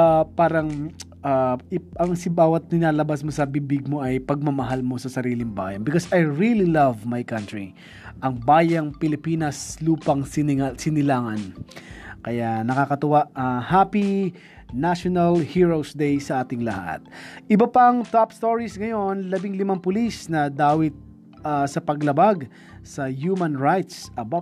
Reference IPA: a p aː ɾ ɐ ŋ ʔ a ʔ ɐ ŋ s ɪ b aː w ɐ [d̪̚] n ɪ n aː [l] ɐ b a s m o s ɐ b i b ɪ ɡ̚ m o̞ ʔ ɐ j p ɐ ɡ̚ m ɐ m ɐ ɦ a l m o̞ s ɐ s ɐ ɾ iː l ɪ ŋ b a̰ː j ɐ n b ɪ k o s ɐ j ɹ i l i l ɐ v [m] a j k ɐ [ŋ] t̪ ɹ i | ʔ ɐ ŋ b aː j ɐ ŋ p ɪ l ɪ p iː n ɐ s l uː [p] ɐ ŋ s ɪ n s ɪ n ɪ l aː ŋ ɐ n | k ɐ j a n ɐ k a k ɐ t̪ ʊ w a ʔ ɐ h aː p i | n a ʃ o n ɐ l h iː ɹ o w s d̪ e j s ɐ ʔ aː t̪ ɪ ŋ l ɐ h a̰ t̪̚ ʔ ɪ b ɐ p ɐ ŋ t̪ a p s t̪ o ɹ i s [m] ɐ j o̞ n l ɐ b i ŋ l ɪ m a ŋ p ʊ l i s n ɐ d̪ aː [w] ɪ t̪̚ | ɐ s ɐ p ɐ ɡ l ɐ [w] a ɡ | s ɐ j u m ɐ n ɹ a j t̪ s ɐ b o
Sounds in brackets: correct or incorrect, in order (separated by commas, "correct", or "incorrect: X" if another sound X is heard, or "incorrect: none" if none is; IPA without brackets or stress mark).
incorrect: t̪̚, correct, correct, incorrect: n, correct, incorrect: ŋ, correct, incorrect: b